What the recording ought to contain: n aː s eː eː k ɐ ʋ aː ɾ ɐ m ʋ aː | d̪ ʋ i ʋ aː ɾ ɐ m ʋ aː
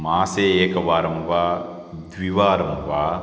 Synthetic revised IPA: m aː s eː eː k ɐ ʋ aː ɾ ɐ m ʋ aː | d̪ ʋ i ʋ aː ɾ ɐ m ʋ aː